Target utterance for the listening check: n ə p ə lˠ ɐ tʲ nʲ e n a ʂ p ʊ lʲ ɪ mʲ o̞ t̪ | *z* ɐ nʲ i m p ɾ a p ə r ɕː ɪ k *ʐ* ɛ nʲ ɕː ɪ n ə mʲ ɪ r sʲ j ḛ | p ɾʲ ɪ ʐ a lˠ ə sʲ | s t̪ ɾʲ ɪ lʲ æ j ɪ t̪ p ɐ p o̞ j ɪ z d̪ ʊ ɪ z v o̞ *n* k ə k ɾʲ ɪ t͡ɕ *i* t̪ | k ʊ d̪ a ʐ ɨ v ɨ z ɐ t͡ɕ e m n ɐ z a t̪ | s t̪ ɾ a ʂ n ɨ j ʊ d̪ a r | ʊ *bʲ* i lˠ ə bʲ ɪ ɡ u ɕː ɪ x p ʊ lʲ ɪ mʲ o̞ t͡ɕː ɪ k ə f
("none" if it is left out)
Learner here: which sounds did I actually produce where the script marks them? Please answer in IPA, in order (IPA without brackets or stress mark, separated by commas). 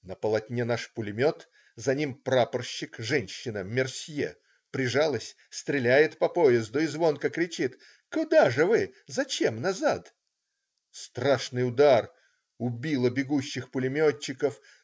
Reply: z, ʐ, n, i, bʲ